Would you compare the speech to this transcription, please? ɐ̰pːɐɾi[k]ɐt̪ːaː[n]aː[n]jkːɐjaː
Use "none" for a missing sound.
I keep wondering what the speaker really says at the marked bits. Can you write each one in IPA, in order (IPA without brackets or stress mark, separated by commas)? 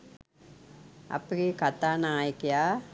k, n, none